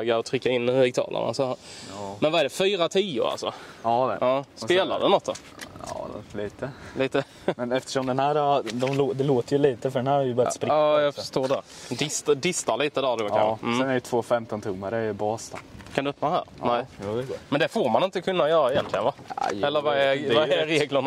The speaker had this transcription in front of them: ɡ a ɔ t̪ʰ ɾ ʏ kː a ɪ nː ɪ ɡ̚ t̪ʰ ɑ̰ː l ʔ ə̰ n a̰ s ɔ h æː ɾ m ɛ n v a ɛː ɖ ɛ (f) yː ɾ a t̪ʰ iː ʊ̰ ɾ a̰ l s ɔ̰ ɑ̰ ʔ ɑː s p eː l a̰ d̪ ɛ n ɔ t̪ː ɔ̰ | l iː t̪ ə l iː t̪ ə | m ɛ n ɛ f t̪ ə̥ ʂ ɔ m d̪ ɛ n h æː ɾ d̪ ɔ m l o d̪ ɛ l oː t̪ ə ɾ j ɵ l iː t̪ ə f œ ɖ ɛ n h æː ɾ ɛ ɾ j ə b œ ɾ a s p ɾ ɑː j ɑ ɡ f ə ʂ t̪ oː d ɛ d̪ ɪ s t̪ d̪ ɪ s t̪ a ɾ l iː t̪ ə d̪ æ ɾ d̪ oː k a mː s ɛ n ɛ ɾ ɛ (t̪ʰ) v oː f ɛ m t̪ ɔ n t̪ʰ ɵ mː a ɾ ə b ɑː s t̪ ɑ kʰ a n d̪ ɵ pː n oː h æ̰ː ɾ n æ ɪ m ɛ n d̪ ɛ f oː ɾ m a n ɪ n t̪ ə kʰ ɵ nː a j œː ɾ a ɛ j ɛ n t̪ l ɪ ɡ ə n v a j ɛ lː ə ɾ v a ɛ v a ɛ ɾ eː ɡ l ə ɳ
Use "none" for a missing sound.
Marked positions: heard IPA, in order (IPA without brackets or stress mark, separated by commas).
f, t̪ʰ